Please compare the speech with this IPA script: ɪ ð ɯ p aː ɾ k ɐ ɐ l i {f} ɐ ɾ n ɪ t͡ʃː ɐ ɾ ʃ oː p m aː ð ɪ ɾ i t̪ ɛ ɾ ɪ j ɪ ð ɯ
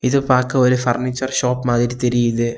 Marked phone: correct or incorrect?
correct